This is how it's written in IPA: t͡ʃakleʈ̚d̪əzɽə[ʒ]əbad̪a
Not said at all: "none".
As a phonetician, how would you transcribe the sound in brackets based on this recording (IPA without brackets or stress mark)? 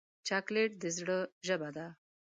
ʒ